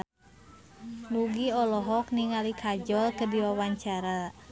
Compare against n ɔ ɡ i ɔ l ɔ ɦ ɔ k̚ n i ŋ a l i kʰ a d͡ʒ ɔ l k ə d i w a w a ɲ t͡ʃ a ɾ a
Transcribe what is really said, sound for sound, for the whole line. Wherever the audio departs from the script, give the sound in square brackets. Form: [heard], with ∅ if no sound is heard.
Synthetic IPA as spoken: n [u] ɡ i ɔ l ɔ ɦ ɔ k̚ n i ŋ a l i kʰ a d͡ʒ ɔ l k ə d i w a w a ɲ t͡ʃ a ɾ a